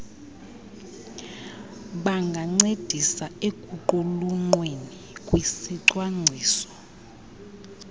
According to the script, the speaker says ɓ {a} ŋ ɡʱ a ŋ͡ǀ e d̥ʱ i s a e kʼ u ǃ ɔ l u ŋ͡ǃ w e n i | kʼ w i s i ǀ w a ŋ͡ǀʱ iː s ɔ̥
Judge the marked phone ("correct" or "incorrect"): correct